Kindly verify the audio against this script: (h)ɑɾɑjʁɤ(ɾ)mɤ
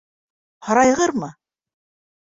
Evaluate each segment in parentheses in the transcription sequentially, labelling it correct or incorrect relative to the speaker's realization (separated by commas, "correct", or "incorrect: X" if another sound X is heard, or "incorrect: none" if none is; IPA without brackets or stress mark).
correct, correct